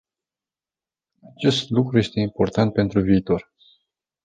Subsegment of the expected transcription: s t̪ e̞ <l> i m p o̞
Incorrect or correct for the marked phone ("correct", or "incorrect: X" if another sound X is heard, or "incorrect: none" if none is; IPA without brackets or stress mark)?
incorrect: none